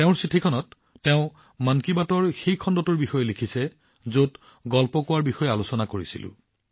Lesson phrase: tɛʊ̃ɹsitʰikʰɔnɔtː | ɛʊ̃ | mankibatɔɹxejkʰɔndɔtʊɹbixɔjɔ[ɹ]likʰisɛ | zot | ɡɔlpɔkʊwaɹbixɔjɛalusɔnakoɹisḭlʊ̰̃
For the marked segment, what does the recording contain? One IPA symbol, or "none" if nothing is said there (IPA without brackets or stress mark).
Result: none